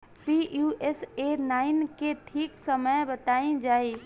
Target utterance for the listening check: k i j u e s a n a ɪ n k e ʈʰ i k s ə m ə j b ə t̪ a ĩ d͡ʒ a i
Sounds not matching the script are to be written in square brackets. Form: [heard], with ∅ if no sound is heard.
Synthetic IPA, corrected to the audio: [p] i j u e s [e] n a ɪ n k e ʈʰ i k s ə m ə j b ə t̪ a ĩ d͡ʒ a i